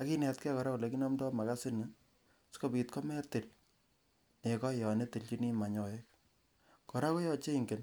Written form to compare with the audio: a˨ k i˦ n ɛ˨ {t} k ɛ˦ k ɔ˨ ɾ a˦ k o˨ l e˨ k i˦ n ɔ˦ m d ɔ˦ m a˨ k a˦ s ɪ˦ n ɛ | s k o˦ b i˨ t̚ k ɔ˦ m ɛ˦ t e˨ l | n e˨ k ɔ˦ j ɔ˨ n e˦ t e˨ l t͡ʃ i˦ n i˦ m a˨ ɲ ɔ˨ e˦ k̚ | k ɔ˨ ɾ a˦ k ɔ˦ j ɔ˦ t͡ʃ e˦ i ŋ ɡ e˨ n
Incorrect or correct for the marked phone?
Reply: correct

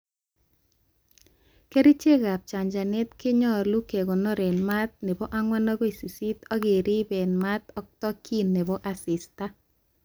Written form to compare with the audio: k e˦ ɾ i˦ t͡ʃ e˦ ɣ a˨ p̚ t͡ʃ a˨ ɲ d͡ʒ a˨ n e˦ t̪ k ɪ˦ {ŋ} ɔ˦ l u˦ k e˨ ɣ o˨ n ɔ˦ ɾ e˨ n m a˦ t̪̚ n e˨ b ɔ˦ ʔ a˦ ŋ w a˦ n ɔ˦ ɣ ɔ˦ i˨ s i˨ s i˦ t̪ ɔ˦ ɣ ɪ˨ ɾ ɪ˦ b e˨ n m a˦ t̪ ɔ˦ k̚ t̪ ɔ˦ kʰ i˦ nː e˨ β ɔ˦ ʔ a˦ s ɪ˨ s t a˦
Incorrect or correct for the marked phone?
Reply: incorrect: ɲ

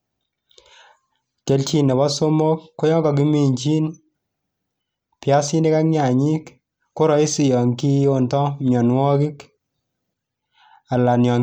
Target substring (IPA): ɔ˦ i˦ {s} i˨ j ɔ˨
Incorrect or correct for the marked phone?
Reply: correct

